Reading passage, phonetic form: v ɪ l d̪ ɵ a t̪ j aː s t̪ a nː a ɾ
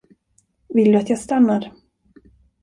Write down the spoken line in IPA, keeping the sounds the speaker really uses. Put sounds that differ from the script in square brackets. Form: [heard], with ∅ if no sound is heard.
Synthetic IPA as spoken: v ɪ l d̪ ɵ a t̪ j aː s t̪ a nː a ɾ